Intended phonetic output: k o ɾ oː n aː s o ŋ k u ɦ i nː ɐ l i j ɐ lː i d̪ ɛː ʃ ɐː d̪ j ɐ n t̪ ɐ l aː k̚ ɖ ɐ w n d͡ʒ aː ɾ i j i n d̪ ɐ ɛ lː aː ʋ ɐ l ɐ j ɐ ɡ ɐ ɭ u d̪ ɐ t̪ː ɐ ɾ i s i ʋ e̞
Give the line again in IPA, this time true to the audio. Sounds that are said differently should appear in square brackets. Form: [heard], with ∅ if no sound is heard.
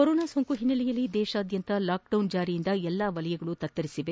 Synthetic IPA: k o ɾ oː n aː s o ŋ k u ɦ i nː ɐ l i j ɐ lː i d̪ ɛː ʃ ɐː d̪ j ɐ n t̪ ɐ l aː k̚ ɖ ɐ w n d͡ʒ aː ɾ i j i n d̪ ɐ ɛ lː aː ʋ ɐ l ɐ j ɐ ɡ ɐ ɭ u [t̪] ɐ t̪ː ɐ ɾ i s i ʋ e̞